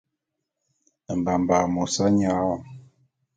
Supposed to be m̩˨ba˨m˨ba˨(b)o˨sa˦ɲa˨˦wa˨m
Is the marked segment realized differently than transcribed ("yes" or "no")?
yes